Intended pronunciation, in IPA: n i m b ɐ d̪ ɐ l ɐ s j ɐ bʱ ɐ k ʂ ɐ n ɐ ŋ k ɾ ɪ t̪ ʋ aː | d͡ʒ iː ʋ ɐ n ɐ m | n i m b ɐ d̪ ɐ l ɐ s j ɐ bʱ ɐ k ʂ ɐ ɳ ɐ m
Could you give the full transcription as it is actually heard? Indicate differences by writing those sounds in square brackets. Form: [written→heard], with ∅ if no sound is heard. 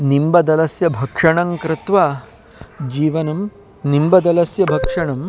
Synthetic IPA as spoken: n i m b ɐ d̪ ɐ l ɐ s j ɐ bʱ ɐ k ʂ ɐ [n→ɳ] ɐ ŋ k ɾ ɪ t̪ ʋ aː | d͡ʒ iː ʋ ɐ n ɐ m | n i m b ɐ d̪ ɐ l ɐ s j ɐ bʱ ɐ k ʂ ɐ ɳ ɐ m